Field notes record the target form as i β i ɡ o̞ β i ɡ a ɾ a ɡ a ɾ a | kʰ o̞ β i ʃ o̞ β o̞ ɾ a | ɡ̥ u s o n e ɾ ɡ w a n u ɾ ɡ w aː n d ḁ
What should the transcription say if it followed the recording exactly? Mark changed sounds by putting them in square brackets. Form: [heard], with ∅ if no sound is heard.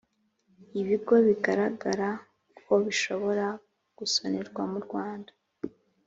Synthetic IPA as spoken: i β i ɡ o̞ β i ɡ a ɾ a ɡ a ɾ a | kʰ o̞ β i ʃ o̞ β o̞ ɾ a | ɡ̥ u s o n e ɾ ɡ w a [m] u ɾ ɡ w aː n d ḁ